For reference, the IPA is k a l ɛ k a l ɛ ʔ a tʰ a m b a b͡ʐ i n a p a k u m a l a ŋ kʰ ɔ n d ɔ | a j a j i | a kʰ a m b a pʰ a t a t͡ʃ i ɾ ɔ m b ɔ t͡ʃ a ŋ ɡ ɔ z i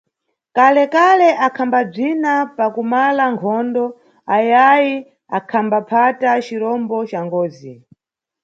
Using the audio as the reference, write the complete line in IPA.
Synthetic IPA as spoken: k a l ɛ k a l ɛ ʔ a kʰ a m b a b͡ʐ i n a p a k u m a l a ŋ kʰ ɔ n d ɔ | a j a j i | a kʰ a m b a pʰ a t a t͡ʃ i ɾ ɔ m b ɔ t͡ʃ a ŋ ɡ ɔː z i